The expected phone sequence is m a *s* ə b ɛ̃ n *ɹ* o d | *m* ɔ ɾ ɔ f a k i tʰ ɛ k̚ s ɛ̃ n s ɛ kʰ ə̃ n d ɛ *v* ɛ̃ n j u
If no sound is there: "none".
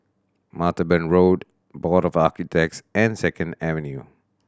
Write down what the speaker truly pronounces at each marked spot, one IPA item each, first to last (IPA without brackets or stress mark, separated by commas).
t, ɹ, b, v